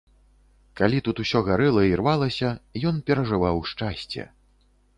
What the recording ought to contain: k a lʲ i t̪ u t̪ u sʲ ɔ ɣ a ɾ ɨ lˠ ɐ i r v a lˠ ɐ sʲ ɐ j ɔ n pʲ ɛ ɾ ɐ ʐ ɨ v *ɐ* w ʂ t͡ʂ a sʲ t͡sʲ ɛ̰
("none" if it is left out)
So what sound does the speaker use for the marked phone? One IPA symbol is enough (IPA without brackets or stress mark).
a